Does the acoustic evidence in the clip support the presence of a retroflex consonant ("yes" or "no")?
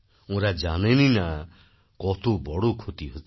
yes